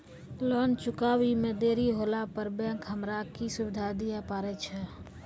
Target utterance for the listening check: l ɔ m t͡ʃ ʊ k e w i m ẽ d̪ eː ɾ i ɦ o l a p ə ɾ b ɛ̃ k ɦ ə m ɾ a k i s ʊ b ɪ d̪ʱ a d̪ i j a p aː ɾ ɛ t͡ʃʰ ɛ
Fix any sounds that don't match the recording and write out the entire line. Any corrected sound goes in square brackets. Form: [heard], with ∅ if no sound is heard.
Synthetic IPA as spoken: l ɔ [n] t͡ʃ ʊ k [a] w i m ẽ d̪ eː ɾ i ɦ o l a p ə ɾ b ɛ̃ k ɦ ə m ɾ a k i s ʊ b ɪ d̪ʱ a d̪ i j a p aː ɾ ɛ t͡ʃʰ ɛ